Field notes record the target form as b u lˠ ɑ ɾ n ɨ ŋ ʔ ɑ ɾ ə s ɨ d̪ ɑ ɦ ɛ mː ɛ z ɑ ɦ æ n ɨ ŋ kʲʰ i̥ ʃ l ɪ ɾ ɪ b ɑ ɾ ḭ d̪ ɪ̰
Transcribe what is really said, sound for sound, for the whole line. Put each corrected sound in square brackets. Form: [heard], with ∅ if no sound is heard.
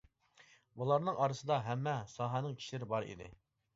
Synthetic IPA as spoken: b u lˠ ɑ ɾ n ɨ ŋ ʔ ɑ ɾ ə s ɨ d̪ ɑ ɦ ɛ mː ɛ [s] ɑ ɦ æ n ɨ ŋ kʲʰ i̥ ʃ l ɪ ɾ ɪ b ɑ ɾ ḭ d̪ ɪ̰